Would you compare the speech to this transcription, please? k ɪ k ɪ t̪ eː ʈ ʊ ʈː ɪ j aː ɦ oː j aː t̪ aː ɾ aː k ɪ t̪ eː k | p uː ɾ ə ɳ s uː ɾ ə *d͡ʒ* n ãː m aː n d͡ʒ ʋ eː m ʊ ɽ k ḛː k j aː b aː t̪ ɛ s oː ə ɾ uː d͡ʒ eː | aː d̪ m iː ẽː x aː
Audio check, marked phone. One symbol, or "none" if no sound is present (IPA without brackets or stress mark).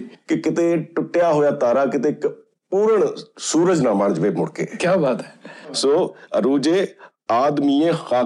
d͡ʒ